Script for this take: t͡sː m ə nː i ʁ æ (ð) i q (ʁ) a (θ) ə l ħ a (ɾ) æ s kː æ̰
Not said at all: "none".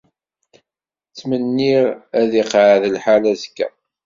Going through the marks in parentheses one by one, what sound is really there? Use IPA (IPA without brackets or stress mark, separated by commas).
ð, ʕ, ð, l